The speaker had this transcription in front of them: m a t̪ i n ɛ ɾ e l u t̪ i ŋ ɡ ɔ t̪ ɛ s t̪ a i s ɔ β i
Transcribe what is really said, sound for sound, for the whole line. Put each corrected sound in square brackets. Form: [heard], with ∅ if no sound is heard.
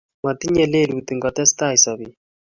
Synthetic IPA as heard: m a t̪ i [ɲ] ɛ [l] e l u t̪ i ŋ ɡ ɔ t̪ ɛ s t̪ a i s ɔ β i